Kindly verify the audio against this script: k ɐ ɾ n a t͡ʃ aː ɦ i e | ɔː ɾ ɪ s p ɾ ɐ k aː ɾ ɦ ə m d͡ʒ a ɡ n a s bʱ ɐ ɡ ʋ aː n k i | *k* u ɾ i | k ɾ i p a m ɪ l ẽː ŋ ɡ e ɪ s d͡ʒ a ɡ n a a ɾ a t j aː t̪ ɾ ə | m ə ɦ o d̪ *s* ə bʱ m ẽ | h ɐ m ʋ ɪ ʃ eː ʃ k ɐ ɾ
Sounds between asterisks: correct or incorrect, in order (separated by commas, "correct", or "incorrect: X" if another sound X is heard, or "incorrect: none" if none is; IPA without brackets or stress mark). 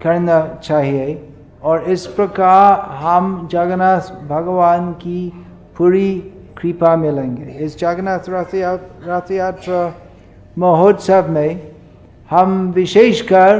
incorrect: p, correct